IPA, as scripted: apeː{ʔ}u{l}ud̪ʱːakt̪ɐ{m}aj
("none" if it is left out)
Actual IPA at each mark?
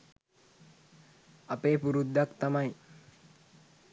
p, ɾ, m

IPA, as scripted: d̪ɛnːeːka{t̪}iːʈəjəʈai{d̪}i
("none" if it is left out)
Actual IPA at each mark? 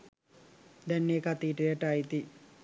t̪, t̪

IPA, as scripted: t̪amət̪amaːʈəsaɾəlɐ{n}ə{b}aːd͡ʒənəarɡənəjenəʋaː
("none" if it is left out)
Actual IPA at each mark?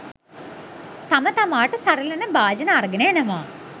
n, b

